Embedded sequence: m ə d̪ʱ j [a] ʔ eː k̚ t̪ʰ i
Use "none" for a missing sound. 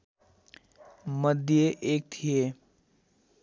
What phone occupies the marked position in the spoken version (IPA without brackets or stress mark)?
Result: e